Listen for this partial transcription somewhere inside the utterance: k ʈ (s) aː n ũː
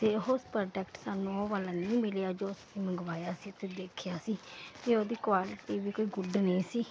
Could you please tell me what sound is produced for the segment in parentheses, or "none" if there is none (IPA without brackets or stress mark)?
s